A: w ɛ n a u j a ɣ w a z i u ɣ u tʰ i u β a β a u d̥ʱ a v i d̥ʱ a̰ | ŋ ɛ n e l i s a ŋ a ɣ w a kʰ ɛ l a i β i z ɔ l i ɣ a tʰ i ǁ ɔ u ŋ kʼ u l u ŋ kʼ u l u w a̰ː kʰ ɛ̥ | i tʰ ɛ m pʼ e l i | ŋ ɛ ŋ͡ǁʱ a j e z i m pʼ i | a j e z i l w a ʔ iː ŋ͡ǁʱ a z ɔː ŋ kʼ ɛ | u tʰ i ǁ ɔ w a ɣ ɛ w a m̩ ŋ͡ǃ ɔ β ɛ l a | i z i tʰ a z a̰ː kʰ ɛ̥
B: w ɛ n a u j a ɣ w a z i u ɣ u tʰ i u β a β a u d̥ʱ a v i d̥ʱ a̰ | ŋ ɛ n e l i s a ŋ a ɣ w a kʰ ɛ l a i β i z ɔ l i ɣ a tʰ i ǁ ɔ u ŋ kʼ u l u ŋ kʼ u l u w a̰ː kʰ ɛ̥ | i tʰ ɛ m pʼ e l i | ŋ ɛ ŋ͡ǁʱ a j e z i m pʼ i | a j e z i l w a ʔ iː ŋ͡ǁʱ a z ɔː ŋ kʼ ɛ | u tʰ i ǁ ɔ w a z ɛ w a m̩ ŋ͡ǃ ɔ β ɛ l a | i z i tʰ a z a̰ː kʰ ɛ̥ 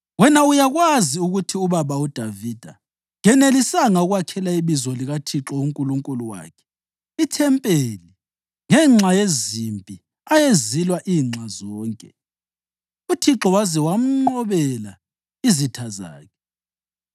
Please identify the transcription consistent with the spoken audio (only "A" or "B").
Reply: B